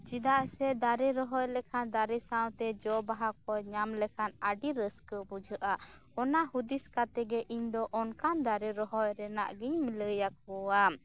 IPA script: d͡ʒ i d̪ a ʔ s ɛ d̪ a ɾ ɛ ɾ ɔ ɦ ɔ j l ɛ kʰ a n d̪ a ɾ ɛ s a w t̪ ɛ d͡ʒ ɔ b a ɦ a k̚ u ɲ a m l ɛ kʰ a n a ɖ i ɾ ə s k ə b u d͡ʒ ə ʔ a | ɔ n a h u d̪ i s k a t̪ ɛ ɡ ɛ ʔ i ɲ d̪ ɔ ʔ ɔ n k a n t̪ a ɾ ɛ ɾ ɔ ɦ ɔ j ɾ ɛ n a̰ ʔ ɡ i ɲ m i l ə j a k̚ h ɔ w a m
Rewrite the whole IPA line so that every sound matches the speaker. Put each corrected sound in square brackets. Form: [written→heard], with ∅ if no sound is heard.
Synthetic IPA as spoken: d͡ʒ i d̪ a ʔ s ɛ d̪ a ɾ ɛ ɾ ɔ ɦ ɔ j l ɛ kʰ a n d̪ a ɾ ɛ s a w t̪ ɛ d͡ʒ ɔ b a ɦ a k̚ [u→ɔ] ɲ a m l ɛ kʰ a n a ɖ i ɾ ə s k ə b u d͡ʒ ə ʔ a | ɔ n a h u d̪ i s k a t̪ ɛ ɡ ɛ ʔ i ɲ d̪ ɔ ʔ ɔ n k a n [t̪→d̪] a ɾ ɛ ɾ ɔ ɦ ɔ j ɾ ɛ n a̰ ʔ ɡ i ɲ m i l ə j a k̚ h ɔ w a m

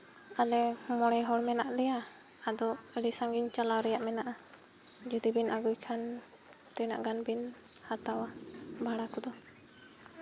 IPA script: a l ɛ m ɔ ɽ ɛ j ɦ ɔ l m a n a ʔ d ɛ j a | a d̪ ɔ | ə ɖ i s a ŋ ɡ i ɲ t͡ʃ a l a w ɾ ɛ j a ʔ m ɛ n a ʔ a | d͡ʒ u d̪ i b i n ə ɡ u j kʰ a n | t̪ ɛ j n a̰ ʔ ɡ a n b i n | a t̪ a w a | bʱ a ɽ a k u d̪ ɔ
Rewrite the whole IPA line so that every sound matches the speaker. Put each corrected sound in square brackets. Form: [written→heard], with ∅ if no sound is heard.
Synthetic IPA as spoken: a l ɛ m ɔ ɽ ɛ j ɦ ɔ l m [a→ɛ] n a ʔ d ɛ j a | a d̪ ɔ | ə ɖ i s a ŋ ɡ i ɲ t͡ʃ a l a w ɾ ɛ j a ʔ m ɛ n a ʔ a | d͡ʒ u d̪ i b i n [ə→a] ɡ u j kʰ a n | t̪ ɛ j n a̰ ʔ ɡ a n b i n | a t̪ a w a | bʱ a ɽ a k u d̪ ɔ

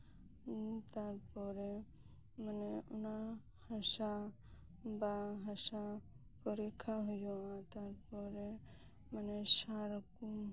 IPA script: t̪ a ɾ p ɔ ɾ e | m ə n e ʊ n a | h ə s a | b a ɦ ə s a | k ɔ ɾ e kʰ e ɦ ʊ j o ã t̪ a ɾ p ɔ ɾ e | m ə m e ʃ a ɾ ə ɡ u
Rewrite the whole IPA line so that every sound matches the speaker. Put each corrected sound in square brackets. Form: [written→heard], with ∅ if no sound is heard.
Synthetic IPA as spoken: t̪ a ɾ p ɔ ɾ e | m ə n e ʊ n a | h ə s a | b a ɦ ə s a | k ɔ ɾ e kʰ [e→a] ɦ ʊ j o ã t̪ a ɾ p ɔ ɾ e | m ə [m→n] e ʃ a ɾ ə [ɡ→k] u

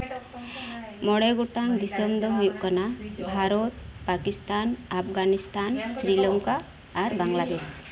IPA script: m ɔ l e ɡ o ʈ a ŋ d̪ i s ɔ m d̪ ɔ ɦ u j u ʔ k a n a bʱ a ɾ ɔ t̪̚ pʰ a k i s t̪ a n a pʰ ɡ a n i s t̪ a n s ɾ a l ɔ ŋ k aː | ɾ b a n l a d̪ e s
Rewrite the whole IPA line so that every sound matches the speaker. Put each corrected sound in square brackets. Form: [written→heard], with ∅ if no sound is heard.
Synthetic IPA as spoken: m ɔ [l→ɽ] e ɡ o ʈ a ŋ d̪ i s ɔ m d̪ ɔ ɦ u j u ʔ k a n a bʱ a ɾ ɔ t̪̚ [pʰ→p] a k i s t̪ a n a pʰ ɡ a n i s t̪ a n s ɾ [a→i] l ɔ ŋ k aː | ɾ b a [n→ŋ] l a d̪ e s

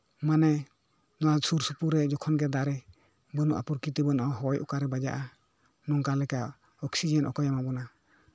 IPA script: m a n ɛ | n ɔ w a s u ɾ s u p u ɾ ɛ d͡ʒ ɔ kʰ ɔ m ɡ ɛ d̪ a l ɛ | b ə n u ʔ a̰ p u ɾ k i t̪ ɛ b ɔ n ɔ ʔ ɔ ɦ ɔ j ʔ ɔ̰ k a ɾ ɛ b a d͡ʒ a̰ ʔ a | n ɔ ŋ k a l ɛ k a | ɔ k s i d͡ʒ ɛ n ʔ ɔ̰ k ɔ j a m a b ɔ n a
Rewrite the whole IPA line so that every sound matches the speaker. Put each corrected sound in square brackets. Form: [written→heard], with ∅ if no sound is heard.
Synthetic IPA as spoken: m a n ɛ | n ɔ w a s u ɾ s u p u ɾ ɛ d͡ʒ ɔ kʰ ɔ [m→n] ɡ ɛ d̪ a [l→ɾ] ɛ | b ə n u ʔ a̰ p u ɾ k i t̪ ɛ b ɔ n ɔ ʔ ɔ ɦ ɔ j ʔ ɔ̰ k a ɾ ɛ b a d͡ʒ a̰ ʔ a | n ɔ ŋ k a l ɛ k a | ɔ k s i d͡ʒ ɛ n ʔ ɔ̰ k ɔ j a m a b ɔ n a

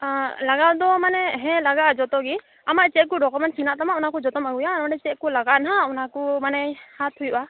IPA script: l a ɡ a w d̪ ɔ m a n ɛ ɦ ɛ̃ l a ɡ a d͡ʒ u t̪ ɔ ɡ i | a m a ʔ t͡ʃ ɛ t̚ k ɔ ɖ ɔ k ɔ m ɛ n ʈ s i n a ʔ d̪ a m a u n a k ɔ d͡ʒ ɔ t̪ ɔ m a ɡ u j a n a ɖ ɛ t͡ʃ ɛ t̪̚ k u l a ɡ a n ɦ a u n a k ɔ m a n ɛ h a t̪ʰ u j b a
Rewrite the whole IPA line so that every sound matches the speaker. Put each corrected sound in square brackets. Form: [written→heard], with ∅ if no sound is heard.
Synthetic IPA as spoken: l a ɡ a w d̪ ɔ m a n ɛ ɦ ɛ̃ l a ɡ a d͡ʒ [u→ɔ] t̪ ɔ ɡ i | a m a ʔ t͡ʃ ɛ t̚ k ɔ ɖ ɔ k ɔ m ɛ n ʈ s i n a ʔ [d̪→t̪] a m a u n a k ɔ d͡ʒ ɔ t̪ ɔ m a ɡ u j a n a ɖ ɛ t͡ʃ ɛ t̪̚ k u l a ɡ a n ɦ a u n a k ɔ m a n ɛ h a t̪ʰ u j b a

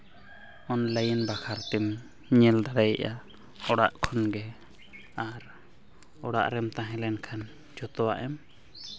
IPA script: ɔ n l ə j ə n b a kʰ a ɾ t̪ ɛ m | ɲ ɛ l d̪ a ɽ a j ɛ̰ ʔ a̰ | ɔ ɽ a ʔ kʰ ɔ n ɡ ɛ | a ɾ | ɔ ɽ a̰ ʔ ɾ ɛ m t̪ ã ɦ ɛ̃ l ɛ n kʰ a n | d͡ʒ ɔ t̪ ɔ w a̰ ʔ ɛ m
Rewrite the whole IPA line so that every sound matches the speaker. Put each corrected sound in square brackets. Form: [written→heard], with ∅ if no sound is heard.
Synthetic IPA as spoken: ɔ n l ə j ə n b a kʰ a ɾ t̪ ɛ m | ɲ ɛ l d̪ a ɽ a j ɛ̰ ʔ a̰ | ɔ ɽ a ʔ kʰ ɔ n ɡ ɛ | a ɾ | ɔ ɽ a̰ ʔ ɾ ɛ m t̪ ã ɦ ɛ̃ l ɛ n kʰ a n | d͡ʒ ɔ t̪ ɔ w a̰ ʔ ɛ m

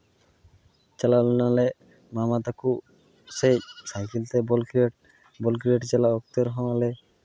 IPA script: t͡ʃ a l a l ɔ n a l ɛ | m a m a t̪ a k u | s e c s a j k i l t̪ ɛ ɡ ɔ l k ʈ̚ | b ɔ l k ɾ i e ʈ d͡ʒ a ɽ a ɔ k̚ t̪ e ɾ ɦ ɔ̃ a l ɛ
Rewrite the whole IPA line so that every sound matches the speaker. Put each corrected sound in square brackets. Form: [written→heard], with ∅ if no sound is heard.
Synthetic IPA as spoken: t͡ʃ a l a l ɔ n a l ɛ | m a m a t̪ a k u | s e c s a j k i l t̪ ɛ [ɡ→b] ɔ l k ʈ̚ | b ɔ l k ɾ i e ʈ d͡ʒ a [ɽ→l] a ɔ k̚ t̪ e ɾ ɦ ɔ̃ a l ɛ

